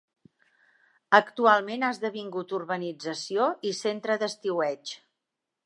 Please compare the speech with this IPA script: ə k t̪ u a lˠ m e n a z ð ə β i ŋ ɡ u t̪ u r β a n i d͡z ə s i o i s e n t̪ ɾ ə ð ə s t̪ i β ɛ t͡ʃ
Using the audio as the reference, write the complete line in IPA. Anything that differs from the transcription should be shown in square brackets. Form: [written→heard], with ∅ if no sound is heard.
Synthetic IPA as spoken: ə k t̪ u a lˠ m e n a z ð ə β i ŋ ɡ u t̪ u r β [a→ə] n i d͡z ə s i o i s e n t̪ ɾ ə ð ə s t̪ i [β→w] ɛ t͡ʃ